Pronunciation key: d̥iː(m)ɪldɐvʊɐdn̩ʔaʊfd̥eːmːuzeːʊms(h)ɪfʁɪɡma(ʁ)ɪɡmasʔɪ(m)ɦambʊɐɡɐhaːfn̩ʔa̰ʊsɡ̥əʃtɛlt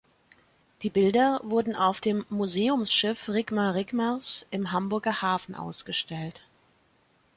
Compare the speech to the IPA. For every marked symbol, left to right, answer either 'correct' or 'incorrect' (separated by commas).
incorrect, incorrect, correct, correct